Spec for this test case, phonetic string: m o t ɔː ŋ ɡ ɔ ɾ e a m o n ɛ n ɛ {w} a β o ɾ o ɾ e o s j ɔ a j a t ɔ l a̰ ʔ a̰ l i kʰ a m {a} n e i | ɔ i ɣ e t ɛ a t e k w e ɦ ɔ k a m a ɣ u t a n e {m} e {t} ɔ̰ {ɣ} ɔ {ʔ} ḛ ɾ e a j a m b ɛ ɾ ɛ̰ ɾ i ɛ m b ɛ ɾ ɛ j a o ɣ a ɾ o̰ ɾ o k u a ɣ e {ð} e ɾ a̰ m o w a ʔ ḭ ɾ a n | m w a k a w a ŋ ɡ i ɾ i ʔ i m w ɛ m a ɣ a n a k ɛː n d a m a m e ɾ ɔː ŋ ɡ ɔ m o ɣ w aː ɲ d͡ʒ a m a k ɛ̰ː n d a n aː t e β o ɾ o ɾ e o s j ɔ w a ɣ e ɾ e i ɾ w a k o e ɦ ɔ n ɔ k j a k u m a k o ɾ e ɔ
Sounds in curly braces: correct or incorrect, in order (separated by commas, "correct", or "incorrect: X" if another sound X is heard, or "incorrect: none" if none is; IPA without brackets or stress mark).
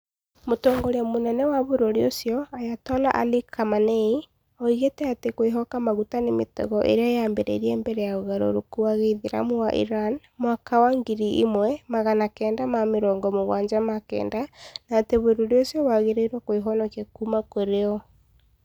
correct, correct, correct, correct, correct, correct, correct